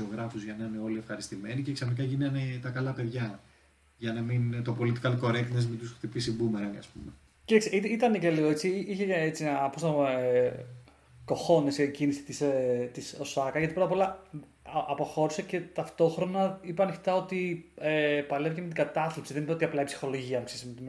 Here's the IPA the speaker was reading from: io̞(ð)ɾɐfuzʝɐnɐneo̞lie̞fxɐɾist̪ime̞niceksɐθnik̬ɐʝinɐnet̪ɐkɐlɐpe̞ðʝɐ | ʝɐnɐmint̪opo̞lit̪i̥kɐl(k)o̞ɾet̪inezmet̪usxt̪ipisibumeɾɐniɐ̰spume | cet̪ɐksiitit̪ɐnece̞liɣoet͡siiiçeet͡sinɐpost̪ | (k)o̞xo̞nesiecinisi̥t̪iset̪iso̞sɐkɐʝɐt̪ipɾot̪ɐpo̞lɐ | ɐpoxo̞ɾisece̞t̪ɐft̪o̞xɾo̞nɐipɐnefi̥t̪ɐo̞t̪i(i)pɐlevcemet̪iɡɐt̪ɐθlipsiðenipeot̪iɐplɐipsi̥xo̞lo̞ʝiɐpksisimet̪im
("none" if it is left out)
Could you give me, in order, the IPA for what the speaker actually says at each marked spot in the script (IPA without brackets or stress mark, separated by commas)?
ɣ, k, k, e